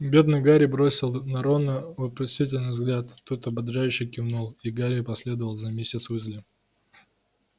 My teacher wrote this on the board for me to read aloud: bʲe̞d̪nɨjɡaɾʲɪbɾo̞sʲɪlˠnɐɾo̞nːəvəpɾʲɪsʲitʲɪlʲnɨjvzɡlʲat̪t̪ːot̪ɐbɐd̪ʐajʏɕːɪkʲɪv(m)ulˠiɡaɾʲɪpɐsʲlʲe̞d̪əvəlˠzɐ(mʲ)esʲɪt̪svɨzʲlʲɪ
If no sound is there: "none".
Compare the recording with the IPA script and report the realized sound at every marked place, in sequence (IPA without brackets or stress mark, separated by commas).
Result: n, mʲ